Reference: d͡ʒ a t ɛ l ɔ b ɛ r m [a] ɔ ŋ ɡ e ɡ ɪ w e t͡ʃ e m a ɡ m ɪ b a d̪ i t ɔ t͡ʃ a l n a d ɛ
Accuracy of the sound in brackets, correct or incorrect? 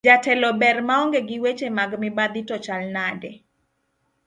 correct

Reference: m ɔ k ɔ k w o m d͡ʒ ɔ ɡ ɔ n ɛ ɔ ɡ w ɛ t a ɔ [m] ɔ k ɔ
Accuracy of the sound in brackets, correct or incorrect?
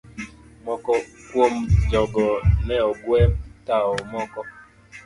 correct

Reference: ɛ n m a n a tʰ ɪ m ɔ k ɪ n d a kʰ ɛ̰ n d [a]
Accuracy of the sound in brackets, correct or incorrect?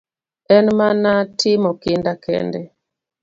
incorrect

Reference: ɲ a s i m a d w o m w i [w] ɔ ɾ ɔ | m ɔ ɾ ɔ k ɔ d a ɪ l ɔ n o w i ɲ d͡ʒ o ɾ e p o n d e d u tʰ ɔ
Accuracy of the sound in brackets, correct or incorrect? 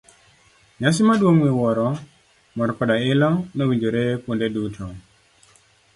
correct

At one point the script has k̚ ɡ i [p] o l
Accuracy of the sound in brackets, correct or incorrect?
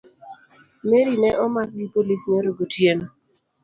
correct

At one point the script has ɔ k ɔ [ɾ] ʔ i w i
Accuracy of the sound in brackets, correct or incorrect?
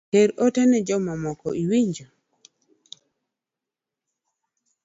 incorrect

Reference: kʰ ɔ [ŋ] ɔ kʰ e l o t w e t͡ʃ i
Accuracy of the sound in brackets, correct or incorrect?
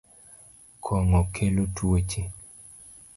correct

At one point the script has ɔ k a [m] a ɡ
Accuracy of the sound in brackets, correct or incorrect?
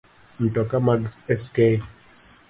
correct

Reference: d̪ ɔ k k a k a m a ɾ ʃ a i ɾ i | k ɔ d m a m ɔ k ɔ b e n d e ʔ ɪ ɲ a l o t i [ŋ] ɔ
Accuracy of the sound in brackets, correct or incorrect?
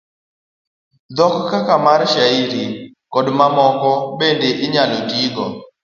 incorrect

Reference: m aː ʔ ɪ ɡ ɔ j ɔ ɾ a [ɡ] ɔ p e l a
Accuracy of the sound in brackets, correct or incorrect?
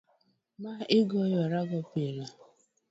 correct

